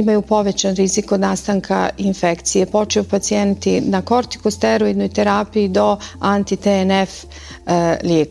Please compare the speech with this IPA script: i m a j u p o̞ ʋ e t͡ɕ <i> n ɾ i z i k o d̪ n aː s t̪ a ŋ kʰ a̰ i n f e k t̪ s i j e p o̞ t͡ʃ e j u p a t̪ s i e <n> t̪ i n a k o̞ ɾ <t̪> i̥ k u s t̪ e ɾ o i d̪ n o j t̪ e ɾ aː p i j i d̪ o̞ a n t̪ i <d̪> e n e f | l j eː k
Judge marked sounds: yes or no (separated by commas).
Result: no, yes, yes, no